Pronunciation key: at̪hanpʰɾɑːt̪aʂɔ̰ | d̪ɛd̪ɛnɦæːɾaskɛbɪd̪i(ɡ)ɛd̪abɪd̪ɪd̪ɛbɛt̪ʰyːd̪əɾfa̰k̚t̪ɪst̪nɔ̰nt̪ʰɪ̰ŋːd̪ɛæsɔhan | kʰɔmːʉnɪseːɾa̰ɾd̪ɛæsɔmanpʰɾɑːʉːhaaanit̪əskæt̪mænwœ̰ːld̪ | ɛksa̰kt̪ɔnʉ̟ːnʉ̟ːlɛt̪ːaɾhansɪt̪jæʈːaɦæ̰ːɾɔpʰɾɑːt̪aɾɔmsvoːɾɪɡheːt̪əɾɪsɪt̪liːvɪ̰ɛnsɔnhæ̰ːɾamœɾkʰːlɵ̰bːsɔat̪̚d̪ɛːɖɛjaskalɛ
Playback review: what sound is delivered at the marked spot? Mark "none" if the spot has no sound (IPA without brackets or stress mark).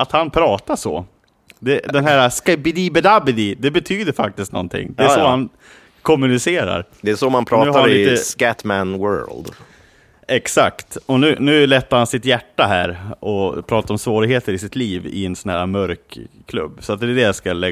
b